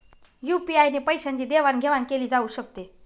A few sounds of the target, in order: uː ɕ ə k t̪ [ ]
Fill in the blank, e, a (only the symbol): e